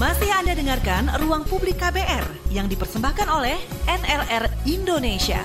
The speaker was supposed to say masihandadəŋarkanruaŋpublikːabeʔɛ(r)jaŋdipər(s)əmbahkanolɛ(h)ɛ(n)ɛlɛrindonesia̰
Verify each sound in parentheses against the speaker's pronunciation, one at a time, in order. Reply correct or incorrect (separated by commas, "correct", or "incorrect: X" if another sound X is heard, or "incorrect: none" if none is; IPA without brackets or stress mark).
correct, correct, correct, correct